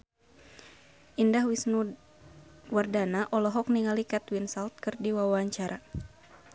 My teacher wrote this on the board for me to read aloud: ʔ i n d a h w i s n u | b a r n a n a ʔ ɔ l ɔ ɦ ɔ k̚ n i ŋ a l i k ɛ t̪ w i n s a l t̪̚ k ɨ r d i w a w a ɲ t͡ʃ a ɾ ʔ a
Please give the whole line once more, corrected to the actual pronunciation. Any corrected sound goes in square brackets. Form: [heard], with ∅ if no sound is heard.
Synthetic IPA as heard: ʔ i n d a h w i s n u | [w] a r [d] a n a ʔ ɔ l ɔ ɦ ɔ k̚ n i ŋ a l i k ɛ t̪ w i n s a l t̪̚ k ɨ r d i w a w a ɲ t͡ʃ a ɾ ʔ a